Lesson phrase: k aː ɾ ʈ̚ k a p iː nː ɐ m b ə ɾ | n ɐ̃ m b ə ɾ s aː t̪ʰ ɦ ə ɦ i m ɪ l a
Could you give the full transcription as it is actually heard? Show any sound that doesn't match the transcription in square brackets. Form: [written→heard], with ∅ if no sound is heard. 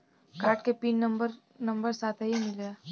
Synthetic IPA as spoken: k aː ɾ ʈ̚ k [a→e] p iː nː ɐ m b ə ɾ | n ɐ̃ m b ə ɾ s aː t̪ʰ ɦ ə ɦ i m ɪ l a